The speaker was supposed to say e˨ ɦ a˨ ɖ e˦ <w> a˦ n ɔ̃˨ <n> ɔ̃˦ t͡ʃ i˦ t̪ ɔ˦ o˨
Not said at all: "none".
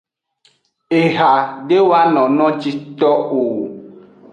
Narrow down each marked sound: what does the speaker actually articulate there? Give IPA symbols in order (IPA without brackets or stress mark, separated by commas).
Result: w, n